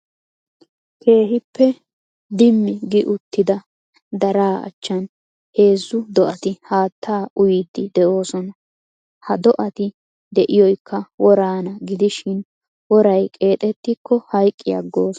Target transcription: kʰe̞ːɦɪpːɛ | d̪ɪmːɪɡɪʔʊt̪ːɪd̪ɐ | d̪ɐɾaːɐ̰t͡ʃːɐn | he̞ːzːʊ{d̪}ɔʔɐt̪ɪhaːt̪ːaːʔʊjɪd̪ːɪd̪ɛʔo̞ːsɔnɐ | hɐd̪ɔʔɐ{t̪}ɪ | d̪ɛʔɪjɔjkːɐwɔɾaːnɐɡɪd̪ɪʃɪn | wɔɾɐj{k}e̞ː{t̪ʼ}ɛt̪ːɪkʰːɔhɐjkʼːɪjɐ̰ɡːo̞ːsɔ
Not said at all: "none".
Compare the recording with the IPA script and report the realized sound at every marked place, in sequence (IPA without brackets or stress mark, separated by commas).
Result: d̪, t̪, kʼ, t̪ʼ